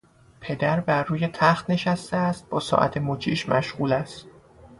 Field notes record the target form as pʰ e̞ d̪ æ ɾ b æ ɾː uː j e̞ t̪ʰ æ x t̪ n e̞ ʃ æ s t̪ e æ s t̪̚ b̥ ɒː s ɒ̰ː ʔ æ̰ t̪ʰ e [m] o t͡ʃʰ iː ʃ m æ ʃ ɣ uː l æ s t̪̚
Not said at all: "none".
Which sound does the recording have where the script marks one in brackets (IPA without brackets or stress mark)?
m